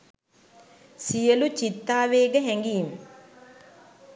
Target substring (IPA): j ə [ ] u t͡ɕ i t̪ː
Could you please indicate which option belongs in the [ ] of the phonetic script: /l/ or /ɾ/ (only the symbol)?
l